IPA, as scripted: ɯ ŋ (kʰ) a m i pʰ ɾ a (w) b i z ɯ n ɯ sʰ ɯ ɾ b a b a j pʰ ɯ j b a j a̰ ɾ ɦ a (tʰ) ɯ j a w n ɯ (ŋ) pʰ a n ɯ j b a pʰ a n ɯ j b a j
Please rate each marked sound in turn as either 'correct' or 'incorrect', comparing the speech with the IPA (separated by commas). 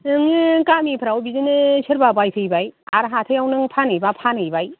incorrect, correct, correct, correct